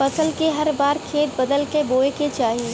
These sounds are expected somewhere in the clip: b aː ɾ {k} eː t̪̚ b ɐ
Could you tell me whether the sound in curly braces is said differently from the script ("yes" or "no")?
yes